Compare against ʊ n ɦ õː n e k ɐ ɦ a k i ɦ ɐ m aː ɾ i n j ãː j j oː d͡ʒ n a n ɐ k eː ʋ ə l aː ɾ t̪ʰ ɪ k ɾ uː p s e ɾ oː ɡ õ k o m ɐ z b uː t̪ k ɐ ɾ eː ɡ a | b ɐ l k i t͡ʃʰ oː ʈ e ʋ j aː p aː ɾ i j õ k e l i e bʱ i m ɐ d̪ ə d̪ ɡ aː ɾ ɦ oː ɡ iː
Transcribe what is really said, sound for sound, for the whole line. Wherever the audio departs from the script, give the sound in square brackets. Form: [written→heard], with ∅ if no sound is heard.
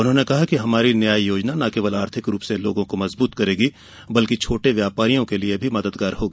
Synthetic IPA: ʊ n ɦ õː n e k ɐ ɦ a k i ɦ ɐ m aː ɾ i n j [ãː→aː] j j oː d͡ʒ n a n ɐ k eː ʋ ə l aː ɾ t̪ʰ ɪ k ɾ uː p s e [ɾ→l] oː ɡ õ k o m ɐ z b uː t̪ k ɐ ɾ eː ɡ [a→i] | b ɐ l k i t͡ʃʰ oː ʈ e ʋ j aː p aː ɾ i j õ k e l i e bʱ i m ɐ d̪ ə d̪ ɡ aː ɾ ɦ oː ɡ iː